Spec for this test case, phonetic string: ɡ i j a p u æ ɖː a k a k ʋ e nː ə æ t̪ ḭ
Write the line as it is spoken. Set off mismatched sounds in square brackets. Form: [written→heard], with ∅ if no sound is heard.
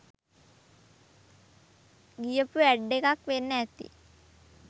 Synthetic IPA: ɡ i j [a→ə] p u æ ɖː [a→e] k a k ʋ e nː ə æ t̪ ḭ

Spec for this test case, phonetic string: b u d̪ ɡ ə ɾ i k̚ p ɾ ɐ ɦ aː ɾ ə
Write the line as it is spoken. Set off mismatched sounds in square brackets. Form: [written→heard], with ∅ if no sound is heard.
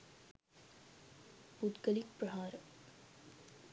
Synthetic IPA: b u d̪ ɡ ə [ɾ→l] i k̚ p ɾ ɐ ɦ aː ɾ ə

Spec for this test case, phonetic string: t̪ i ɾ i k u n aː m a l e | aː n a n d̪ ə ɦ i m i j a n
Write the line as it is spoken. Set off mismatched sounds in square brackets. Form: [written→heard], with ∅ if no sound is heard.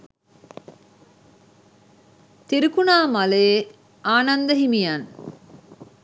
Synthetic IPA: t̪ i ɾ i k u n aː m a l e | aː n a n d̪ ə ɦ i m i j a n

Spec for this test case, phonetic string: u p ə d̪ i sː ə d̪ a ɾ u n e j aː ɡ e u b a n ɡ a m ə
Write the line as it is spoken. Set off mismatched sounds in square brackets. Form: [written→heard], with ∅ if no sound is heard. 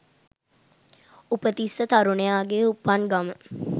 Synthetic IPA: u p ə [d̪→t̪] i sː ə [d̪→t̪] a ɾ u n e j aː ɡ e u [b→p] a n ɡ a m ə

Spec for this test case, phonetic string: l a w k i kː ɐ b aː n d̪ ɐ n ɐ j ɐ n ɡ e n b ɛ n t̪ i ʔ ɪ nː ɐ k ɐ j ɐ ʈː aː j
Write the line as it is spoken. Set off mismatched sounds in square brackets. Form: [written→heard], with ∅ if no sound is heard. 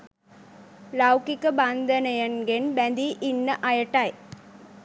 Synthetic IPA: l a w k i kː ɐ b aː n d̪ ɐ n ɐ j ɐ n ɡ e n b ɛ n [t̪→d̪] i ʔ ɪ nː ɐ [k→ʔ] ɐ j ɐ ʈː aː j

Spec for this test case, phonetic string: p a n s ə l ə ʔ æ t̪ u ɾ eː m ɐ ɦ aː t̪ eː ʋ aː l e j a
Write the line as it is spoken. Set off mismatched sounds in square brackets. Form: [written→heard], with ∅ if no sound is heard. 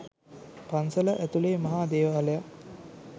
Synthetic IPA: p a n s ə l ə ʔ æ t̪ u [ɾ→l] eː m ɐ ɦ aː [t̪→d̪] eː ʋ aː l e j a

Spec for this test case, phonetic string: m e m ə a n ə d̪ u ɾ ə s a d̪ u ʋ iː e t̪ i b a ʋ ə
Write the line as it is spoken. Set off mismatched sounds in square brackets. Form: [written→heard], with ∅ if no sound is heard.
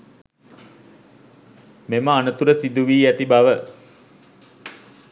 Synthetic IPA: m e m ə a n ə [d̪→t̪] u ɾ ə s [a→i] d̪ u ʋ iː [e→æ] t̪ i b a ʋ ə

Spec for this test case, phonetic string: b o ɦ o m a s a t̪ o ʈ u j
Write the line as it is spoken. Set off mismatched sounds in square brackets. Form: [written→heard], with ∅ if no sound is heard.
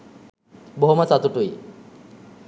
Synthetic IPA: b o ɦ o m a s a t̪ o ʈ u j

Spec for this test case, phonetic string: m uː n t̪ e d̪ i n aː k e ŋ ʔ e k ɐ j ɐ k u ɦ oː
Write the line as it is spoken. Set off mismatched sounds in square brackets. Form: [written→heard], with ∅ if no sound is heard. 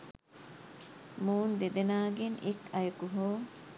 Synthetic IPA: m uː n [t̪→d̪] e d̪ [i→e] n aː [k→ɡ] e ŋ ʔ e k ɐ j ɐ k u ɦ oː

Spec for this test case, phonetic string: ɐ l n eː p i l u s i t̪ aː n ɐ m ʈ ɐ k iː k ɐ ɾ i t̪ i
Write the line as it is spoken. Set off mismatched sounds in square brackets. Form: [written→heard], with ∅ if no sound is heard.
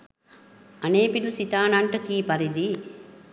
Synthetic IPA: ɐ [l→∅] n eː p i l u s i t̪ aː n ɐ [m→ɳ] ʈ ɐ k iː [k→p] ɐ ɾ i [t̪→d̪] i

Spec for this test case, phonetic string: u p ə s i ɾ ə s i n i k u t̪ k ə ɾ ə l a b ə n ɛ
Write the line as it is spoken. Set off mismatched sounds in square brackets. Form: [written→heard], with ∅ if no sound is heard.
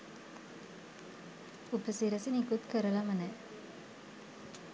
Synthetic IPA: u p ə s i ɾ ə s i n i k u t̪ k ə ɾ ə l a [b→m] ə n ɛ

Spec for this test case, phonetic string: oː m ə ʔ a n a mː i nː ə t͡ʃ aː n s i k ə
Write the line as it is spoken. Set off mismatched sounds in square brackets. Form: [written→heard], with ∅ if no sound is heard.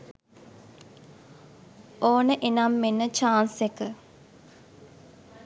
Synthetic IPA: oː [m→n] ə ʔ [a→e] n a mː [i→e] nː ə t͡ʃ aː n s [i→e] k ə

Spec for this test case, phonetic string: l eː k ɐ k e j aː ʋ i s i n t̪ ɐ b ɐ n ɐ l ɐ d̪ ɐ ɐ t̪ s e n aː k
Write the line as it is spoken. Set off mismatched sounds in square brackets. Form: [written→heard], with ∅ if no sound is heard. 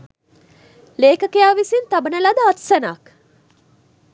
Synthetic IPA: l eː k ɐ k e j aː ʋ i s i n t̪ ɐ b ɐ n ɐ l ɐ d̪ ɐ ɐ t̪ s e n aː k

